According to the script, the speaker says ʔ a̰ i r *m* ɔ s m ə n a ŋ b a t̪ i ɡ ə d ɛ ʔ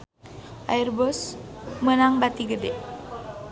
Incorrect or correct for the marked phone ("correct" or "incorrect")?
incorrect